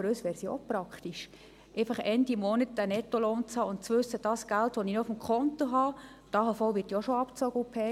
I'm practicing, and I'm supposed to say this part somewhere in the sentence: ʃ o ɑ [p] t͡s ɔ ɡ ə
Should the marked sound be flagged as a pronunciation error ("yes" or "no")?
no